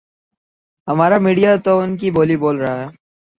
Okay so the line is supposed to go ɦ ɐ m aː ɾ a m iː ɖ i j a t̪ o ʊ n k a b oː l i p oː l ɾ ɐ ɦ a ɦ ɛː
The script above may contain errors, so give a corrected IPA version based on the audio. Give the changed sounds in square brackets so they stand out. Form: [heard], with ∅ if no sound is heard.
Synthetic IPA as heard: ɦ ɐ m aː ɾ a m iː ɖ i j a t̪ o ʊ n k [i] b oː l i [b] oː l ɾ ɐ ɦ a ɦ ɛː